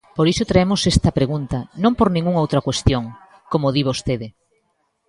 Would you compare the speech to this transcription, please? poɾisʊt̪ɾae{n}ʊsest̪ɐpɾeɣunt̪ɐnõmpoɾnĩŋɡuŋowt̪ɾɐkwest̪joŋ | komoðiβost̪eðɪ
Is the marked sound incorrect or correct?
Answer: incorrect